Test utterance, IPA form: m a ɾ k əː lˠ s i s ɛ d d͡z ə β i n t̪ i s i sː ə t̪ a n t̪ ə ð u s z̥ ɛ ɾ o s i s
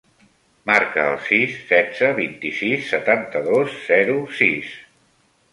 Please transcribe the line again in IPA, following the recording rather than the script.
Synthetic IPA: m a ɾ k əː lˠ s i sː ɛ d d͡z ə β i n t̪ i s i sː ə t̪ a n t̪ ə ð o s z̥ ɛ ɾ u s i s